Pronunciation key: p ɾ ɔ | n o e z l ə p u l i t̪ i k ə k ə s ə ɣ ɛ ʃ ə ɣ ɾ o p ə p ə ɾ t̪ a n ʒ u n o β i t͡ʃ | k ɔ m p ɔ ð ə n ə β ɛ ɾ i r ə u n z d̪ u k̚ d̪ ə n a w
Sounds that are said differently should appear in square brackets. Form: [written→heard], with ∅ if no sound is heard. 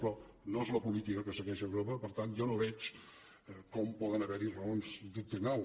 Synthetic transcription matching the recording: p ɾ ɔ | n o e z l ə p u l i t̪ i k ə k ə s ə ɣ ɛ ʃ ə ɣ ɾ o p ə p ə ɾ t̪ a n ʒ [u→ɔ] n o β [i→ɛ] t͡ʃ | k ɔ m p ɔ ð ə n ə β ɛ ɾ i r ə [u→o] n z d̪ u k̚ [d̪→t̪] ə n a w